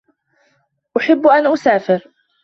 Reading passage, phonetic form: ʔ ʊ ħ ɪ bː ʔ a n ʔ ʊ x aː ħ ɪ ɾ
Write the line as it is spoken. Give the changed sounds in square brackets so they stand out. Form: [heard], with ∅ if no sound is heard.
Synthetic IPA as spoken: ʔ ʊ ħ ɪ bː ʔ a n ʔ ʊ [s] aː [f] ɪ ɾ